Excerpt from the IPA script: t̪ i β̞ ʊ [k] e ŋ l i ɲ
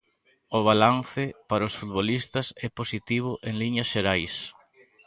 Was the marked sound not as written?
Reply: yes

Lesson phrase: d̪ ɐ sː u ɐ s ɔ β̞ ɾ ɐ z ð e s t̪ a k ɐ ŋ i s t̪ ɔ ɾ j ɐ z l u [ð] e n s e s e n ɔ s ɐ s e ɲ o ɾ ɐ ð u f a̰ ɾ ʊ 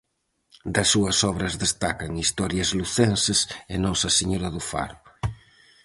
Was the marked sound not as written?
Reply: yes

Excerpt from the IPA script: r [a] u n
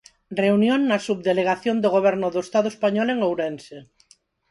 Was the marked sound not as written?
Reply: yes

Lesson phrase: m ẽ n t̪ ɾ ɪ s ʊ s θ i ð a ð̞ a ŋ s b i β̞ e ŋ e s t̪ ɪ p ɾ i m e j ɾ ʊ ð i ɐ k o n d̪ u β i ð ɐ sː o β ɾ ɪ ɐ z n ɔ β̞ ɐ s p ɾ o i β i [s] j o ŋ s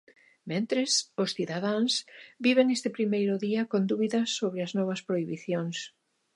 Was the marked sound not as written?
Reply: yes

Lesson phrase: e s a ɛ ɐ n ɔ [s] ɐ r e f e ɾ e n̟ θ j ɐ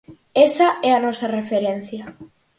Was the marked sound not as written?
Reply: no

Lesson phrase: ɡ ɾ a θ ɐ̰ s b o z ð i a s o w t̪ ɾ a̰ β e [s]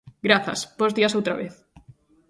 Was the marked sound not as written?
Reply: yes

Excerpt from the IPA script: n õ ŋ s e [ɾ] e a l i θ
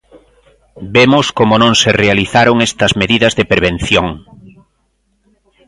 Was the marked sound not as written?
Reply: yes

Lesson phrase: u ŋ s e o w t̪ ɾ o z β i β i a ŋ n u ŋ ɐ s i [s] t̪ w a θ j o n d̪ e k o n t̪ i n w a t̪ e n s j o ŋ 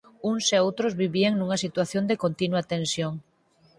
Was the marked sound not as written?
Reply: yes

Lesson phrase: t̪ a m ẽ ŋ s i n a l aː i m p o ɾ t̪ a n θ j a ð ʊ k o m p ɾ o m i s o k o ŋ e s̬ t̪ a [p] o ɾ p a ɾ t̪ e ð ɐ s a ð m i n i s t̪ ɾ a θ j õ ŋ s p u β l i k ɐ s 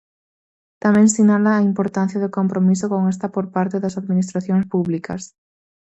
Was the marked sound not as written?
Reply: no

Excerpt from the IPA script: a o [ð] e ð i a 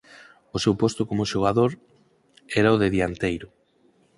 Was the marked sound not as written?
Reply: no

